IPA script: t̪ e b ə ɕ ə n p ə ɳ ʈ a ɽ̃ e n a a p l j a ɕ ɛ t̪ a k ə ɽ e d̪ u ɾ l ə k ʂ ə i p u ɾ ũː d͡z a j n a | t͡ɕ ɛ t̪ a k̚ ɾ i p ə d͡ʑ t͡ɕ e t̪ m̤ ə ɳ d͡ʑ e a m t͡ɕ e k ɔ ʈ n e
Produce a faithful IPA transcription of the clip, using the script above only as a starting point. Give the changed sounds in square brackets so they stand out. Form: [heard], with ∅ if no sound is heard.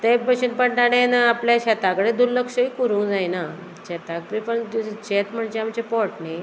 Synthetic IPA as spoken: t̪ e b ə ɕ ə n p ə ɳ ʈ a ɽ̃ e n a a p l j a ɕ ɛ t̪ a k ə ɽ e d̪ u ɾ l ə k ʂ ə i [k] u ɾ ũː d͡z a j n a | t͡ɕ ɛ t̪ a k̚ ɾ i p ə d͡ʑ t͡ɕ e t̪ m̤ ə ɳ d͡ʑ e a m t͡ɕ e [p] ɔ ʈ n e